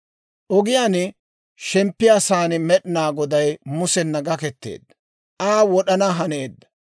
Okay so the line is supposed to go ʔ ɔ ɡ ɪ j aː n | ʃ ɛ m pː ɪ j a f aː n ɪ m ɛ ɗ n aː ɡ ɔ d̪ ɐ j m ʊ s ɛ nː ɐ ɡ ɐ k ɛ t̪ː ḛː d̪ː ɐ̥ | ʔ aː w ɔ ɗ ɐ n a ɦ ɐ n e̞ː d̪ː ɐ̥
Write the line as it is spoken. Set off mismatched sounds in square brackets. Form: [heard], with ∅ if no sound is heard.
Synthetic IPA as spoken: ʔ ɔ ɡ ɪ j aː n | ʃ ɛ m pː ɪ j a [s] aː n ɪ m ɛ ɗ n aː ɡ ɔ d̪ ɐ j m ʊ s ɛ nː ɐ ɡ ɐ k ɛ t̪ː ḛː d̪ː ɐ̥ | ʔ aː w ɔ ɗ ɐ n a ɦ ɐ n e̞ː d̪ː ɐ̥